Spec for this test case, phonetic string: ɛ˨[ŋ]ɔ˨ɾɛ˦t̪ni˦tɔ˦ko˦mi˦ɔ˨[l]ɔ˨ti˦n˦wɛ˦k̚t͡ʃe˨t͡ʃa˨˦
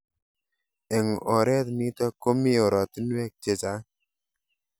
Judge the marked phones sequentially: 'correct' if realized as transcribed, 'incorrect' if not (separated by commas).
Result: correct, incorrect